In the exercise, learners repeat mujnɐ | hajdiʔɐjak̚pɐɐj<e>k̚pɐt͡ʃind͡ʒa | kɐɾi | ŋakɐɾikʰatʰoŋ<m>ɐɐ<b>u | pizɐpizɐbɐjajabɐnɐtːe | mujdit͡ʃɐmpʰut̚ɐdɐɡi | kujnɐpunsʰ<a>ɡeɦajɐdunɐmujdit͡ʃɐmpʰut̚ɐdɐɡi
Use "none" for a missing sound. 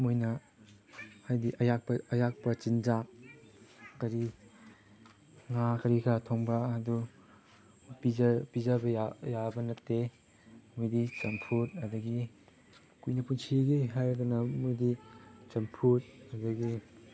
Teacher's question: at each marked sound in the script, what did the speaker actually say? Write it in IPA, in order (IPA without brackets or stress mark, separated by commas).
a, b, d, i